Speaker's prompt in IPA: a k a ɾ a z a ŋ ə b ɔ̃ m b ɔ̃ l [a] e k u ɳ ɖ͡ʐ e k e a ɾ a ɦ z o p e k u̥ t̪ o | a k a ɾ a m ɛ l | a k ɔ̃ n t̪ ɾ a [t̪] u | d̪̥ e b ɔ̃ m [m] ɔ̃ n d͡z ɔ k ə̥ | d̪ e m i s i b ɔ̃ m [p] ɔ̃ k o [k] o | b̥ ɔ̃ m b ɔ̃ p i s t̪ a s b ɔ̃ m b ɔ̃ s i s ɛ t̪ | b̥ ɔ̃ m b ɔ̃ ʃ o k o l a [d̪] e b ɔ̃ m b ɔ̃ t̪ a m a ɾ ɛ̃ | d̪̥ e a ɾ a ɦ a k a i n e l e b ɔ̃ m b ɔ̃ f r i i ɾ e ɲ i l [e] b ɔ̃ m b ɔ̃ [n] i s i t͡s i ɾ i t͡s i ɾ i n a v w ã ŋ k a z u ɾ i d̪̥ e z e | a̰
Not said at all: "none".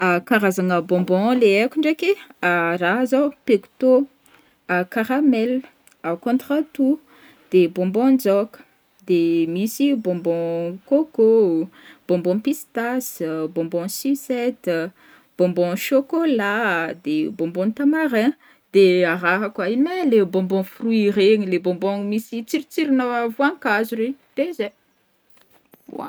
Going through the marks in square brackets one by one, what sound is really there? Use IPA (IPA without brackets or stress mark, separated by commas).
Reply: e, t̪, b, b, k, d̪, e, m